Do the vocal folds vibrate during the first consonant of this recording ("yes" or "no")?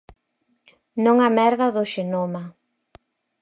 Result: yes